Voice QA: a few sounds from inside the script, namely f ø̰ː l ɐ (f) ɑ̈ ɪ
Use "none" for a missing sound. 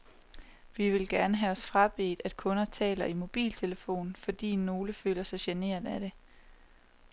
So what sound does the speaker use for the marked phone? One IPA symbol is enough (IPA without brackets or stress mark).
s